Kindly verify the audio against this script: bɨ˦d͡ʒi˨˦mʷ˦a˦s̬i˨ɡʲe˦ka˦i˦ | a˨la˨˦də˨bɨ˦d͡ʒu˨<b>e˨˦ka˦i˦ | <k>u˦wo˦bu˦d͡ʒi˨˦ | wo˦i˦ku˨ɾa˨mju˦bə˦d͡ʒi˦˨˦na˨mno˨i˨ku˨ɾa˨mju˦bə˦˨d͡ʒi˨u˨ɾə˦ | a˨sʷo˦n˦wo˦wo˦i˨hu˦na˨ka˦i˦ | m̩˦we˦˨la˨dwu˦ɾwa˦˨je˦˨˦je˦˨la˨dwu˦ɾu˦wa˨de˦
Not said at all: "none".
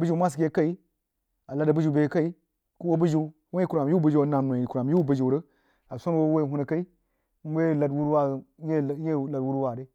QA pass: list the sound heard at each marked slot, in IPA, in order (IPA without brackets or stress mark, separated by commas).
b, k